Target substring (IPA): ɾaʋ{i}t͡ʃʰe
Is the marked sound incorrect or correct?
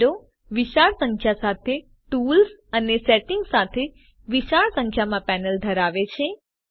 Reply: incorrect